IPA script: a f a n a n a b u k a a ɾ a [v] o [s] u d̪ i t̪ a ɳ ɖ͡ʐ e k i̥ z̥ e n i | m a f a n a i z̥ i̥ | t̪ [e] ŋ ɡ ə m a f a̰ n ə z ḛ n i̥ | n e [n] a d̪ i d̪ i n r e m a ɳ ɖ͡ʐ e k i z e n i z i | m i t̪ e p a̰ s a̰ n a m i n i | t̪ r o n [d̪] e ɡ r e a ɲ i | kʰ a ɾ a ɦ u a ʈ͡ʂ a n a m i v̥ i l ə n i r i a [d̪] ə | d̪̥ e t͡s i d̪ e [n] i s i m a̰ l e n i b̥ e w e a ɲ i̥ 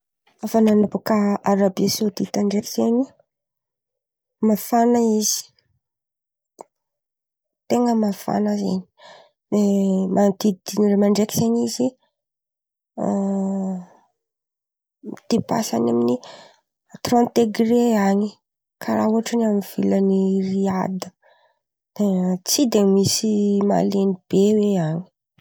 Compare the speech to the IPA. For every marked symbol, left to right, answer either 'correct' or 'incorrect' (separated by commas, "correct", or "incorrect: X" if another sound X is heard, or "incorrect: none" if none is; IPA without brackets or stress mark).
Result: incorrect: b, correct, correct, incorrect: m, incorrect: t̪, correct, incorrect: m